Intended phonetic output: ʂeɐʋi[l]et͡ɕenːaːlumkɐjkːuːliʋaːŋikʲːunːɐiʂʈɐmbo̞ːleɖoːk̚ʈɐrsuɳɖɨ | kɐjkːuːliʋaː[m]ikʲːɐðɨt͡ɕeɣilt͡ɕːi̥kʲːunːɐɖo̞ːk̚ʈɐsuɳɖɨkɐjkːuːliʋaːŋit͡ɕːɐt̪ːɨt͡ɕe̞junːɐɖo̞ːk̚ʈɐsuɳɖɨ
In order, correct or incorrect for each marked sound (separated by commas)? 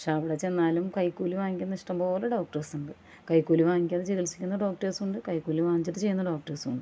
incorrect, incorrect